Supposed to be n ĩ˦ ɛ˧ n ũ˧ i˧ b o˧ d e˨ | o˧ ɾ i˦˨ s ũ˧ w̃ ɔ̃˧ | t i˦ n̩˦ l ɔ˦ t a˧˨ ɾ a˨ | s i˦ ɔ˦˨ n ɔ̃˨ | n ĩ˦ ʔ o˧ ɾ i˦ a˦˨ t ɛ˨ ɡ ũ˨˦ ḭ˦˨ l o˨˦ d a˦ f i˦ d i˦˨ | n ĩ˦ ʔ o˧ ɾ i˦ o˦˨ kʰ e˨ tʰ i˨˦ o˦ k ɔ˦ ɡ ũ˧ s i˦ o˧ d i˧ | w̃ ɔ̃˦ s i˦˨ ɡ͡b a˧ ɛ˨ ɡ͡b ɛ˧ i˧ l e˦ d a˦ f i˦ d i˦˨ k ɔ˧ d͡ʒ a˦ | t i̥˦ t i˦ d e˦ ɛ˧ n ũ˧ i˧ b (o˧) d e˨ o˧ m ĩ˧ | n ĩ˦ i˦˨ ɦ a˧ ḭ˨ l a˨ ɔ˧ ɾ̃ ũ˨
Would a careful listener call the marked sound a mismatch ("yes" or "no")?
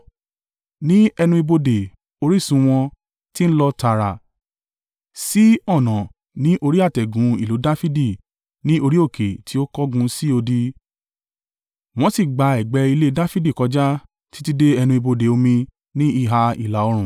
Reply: no